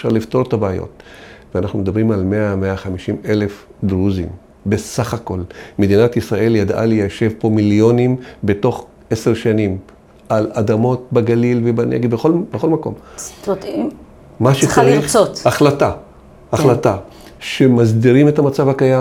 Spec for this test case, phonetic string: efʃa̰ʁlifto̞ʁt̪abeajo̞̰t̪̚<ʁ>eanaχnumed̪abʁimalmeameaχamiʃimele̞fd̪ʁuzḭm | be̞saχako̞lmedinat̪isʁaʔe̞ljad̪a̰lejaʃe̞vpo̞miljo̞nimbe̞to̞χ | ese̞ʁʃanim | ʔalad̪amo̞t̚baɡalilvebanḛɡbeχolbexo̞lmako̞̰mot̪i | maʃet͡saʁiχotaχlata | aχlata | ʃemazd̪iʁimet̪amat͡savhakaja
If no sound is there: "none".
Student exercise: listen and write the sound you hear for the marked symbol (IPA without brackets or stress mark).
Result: v